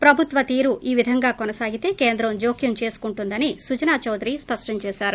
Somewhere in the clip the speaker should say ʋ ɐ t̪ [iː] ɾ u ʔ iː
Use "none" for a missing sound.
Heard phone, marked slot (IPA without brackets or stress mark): iː